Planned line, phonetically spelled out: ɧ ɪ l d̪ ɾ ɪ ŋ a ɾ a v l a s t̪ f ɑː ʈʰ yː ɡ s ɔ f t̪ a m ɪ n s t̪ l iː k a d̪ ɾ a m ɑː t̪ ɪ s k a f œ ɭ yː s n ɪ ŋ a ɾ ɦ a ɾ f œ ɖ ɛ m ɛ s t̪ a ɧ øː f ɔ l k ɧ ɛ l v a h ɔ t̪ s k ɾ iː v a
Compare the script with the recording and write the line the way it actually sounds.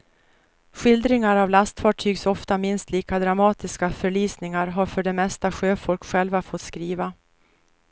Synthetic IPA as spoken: ɧ ɪ l d̪ ɾ ɪ ŋ a ɾ a v l a s t̪ f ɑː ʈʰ yː ɡ s ɔ f t̪ a m ɪ n s t̪ l iː k a d̪ ɾ a m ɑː t̪ ɪ s k a f œ ɭ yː s n ɪ ŋ a ɾ ɦ a ɾ f œ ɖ ɛ m ɛ s t̪ a ɧ øː f ɔ l k ɧ ɛ l v a f ɔ t̪ s k ɾ iː v a